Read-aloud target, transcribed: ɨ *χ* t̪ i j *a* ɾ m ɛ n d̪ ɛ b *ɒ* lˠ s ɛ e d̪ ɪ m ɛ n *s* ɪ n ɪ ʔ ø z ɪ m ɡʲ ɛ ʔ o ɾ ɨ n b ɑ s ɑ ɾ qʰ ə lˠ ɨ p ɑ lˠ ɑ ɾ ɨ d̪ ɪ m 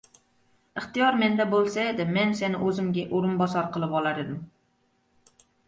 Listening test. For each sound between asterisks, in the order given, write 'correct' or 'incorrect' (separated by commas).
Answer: correct, incorrect, incorrect, correct